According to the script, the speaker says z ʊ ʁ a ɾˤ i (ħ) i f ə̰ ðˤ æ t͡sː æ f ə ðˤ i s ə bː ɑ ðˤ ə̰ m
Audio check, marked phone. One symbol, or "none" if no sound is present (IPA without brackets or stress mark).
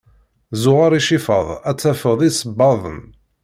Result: ʃ